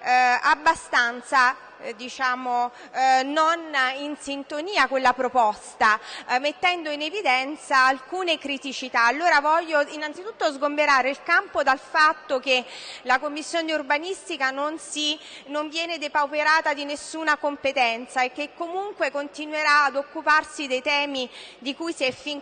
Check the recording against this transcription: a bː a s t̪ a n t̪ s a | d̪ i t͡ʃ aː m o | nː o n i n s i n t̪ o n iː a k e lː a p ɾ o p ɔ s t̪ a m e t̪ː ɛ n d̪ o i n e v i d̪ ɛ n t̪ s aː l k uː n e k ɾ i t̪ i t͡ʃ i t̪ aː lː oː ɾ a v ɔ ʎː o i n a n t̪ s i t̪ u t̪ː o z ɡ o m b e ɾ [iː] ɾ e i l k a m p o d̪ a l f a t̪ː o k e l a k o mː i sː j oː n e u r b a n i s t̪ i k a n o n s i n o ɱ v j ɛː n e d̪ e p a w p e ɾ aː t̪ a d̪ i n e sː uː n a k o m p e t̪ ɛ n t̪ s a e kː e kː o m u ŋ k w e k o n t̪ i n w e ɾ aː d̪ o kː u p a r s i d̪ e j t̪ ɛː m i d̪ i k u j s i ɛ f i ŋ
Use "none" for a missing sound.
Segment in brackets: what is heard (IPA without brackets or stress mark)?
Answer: aː